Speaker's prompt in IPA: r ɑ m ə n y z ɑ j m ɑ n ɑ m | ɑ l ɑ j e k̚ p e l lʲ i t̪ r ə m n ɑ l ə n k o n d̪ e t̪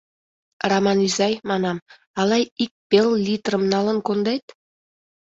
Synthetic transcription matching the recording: r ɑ m ɑ n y z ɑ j m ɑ n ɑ m | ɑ l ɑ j i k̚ p e l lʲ i t̪ r ə m n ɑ l ə n k o n d̪ e t̪